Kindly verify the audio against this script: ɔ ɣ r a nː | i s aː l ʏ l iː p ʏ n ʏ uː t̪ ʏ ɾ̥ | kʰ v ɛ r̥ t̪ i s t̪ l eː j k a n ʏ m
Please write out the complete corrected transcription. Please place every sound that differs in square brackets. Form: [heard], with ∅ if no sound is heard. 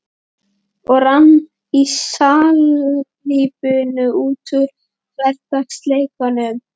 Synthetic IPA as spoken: ɔ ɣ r a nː | i s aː l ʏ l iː p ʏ n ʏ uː t̪ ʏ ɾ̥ | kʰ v ɛ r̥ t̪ [a] s t̪ l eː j k a n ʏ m

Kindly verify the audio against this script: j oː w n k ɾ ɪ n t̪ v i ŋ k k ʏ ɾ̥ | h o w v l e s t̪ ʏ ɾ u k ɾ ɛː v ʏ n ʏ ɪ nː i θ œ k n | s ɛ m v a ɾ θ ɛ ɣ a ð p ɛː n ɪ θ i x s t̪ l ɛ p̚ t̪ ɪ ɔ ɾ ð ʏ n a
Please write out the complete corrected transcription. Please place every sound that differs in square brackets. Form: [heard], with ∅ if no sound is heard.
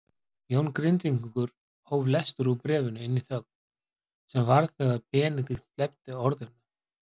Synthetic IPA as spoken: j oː w n k ɾ ɪ n t̪ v i ŋ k k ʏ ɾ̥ | h o w v l [ɛ] s t̪ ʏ ɾ u [p] ɾ ɛː v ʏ n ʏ ɪ nː i θ œ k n | s ɛ m v a ɾ θ ɛ ɣ a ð p ɛː n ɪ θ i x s t̪ l ɛ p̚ t̪ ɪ ɔ ɾ ð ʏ n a

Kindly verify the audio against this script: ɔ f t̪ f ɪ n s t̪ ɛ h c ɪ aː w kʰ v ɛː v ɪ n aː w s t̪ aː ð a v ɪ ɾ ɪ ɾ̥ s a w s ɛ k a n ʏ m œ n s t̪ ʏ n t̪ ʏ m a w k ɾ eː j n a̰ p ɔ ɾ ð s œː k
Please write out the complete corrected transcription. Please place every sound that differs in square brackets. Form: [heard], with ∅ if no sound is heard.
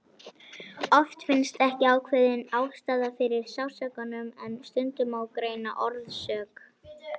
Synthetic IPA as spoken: ɔ f t̪ f ɪ n s t̪ ɛ h c ɪ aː w kʰ v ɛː [ð] ɪ n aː w s t̪ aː ð a [f] ɪ ɾ ɪ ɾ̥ s a w s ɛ k a n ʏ m [ɛ] n s t̪ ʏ n t̪ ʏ m a w k ɾ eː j n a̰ [ʔ] ɔ ɾ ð s œː k

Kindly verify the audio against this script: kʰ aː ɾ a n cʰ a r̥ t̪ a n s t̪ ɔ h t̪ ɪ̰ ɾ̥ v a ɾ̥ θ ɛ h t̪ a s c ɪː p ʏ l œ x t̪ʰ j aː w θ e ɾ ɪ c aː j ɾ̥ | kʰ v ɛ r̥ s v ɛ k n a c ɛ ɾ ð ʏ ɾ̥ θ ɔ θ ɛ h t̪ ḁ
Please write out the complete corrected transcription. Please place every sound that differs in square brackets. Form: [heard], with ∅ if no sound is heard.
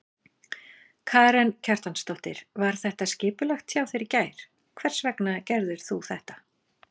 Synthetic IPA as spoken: kʰ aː ɾ [ɛ] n cʰ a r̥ t̪ a n s t̪ ɔ h t̪ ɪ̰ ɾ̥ v a ɾ̥ θ ɛ h t̪ a s c ɪː p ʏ l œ x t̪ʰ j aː w θ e ɾ ɪ c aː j ɾ̥ | kʰ v ɛ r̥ s v ɛ k n a c ɛ ɾ ð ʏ ɾ̥ θ [u] θ ɛ h t̪ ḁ

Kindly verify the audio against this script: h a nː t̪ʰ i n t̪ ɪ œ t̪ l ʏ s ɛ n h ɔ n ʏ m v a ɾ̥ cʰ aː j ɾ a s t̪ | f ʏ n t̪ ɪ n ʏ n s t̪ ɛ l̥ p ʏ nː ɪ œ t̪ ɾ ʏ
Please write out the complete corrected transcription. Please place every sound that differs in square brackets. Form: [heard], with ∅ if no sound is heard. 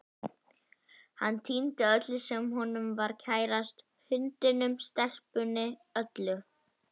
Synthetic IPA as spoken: h a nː t̪ʰ i n t̪ ɪ œ t̪ l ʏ s ɛ [m] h ɔ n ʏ m v a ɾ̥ cʰ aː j ɾ a s t̪ | [h] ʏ n t̪ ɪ n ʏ [m] s t̪ ɛ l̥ p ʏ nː ɪ œ t̪ [l] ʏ

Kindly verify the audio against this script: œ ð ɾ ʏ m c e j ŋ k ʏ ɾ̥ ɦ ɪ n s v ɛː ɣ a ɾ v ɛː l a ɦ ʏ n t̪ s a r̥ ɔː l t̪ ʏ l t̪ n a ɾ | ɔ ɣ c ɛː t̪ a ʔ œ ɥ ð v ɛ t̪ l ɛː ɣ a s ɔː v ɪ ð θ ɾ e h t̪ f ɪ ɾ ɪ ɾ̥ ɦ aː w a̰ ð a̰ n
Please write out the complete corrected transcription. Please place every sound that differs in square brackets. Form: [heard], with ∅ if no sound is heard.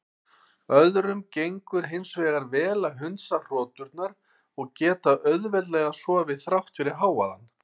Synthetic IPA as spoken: œ ð ɾ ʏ m c e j ŋ k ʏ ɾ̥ ɦ ɪ n s v ɛː ɣ a ɾ v ɛː l a ɦ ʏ n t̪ s a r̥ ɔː [∅] t̪ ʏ [ɾ] t̪ n a ɾ | ɔ ɣ c ɛː t̪ a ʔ œ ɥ ð v ɛ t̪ l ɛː ɣ a s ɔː v ɪ ð θ ɾ [a] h t̪ f ɪ ɾ ɪ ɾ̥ ɦ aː w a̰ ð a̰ n

